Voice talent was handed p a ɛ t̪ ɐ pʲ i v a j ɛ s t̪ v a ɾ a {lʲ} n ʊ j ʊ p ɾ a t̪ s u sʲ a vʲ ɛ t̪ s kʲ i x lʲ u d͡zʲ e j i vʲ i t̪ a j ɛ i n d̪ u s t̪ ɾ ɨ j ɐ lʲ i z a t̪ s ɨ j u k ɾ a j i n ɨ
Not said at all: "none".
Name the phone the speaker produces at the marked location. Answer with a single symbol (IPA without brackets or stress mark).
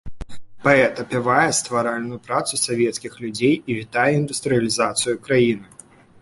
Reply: lʲ